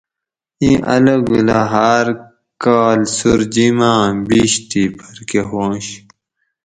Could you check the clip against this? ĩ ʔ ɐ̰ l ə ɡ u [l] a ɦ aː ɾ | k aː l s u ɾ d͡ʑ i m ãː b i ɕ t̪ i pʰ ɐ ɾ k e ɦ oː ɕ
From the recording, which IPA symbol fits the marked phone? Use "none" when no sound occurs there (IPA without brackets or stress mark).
l